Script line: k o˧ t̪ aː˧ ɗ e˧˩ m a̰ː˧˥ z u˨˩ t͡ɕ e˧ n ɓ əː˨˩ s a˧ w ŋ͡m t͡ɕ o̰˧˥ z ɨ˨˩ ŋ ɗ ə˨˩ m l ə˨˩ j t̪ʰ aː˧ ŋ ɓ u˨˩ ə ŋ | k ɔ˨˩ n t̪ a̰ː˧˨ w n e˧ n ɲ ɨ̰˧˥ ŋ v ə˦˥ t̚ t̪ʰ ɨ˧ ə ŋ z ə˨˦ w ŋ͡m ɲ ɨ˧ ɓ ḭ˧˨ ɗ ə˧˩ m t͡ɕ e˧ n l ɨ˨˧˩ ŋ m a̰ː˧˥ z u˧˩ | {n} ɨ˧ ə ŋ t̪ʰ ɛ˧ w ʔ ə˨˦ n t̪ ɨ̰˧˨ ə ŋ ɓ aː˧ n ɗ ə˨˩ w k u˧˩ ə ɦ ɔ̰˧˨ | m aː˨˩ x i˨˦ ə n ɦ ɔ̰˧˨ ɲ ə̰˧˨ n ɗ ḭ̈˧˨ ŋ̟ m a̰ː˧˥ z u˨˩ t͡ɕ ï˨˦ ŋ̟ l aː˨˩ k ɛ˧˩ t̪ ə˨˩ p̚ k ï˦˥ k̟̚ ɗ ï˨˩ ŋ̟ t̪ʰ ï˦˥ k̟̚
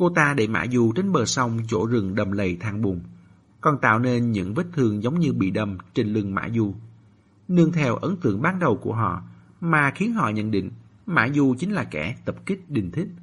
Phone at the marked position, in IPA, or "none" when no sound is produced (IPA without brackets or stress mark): n